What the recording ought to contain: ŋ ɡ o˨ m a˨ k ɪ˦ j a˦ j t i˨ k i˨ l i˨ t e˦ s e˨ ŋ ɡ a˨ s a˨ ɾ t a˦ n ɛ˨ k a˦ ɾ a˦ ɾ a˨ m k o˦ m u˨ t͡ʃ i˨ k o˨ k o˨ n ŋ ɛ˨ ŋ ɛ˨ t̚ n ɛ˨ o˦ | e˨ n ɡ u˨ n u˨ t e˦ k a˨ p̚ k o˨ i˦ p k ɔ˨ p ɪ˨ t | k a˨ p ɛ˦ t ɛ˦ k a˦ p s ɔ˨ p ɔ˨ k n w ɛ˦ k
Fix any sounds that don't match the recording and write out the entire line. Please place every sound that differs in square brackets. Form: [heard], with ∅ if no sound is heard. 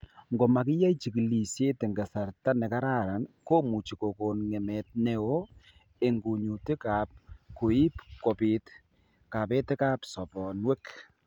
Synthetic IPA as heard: ŋ ɡ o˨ m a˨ k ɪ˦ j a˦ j [t͡ʃ] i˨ k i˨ l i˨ [s] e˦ [t] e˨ ŋ ɡ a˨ s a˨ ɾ t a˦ n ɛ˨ k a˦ ɾ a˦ ɾ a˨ [n] k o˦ m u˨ t͡ʃ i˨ k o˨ k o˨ n ŋ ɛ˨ [m] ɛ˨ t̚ n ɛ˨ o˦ | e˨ [ŋ] ɡ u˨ [ɲ] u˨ t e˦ k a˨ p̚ k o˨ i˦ p k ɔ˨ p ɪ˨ t | k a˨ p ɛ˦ t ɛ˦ k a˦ p s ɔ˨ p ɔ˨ [∅] n w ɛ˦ k